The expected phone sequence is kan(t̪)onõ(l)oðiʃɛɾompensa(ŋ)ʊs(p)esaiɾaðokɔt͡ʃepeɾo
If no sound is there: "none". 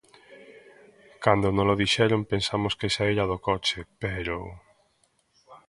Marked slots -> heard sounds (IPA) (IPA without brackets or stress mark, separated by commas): d̪, l, m, k